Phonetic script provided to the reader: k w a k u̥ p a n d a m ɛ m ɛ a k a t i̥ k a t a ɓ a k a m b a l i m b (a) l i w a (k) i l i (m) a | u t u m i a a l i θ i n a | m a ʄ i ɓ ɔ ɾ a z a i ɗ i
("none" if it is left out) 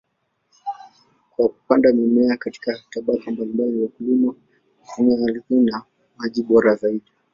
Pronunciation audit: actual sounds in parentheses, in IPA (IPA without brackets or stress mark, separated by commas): a, k, m